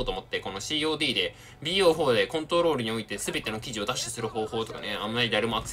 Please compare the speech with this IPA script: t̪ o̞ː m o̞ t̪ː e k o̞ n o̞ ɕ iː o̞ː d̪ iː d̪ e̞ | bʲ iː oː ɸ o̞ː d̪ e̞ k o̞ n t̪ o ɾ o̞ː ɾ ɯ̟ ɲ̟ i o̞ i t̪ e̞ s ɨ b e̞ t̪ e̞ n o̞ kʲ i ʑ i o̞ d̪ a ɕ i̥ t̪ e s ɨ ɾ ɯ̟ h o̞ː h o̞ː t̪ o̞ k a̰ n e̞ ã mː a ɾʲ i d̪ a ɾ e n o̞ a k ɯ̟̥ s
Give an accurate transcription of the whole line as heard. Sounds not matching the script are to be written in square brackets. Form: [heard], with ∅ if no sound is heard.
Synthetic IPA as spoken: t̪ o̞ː m o̞ t̪ː e k o̞ n o̞ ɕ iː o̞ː d̪ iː d̪ e̞ | bʲ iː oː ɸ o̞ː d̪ e̞ k [õ̞] n t̪ o ɾ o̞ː ɾ ɯ̟ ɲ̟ i o̞ i t̪ e̞ s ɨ b e̞ t̪ e̞ n o̞ kʲ i ʑ i o̞ d̪ a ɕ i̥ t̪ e s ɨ ɾ ɯ̟ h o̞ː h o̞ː t̪ o̞ k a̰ n e̞ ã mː a ɾʲ i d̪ a ɾ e [m] o̞ a k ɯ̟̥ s